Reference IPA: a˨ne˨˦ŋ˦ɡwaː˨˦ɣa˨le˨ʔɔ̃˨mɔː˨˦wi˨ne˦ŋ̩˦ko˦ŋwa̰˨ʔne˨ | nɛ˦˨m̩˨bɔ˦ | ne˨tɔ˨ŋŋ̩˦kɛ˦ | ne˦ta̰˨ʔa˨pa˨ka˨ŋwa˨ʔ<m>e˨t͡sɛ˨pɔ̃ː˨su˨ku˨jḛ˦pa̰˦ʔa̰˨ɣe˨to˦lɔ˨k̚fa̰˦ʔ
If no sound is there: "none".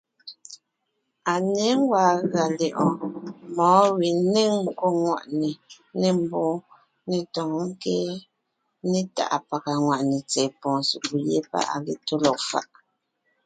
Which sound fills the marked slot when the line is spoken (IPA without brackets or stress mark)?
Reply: n